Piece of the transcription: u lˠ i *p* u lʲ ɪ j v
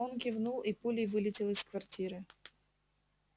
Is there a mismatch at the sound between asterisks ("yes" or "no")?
no